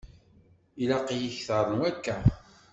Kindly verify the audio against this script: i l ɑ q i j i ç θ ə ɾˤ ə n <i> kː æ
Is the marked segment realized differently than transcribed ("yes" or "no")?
yes